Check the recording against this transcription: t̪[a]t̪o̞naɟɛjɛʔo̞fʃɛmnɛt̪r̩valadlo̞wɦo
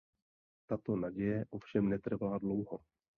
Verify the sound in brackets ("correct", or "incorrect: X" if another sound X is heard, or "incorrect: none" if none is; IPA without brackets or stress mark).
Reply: correct